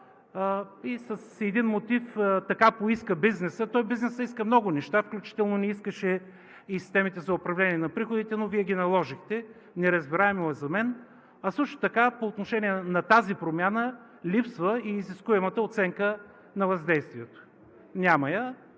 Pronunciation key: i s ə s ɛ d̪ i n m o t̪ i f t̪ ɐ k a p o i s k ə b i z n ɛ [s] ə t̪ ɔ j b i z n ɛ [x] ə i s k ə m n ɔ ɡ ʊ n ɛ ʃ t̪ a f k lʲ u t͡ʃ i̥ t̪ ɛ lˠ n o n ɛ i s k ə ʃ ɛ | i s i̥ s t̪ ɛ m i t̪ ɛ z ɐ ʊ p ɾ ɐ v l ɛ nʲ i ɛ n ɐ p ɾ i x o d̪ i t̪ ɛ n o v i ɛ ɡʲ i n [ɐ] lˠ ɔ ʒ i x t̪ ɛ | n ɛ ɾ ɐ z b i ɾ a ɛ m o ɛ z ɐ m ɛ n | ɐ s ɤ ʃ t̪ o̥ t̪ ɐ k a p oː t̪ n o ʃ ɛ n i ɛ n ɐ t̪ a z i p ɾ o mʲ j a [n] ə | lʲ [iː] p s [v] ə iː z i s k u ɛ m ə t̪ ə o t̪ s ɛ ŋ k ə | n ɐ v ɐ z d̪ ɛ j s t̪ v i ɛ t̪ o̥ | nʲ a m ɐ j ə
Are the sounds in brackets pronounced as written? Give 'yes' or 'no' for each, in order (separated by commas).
yes, no, yes, yes, no, yes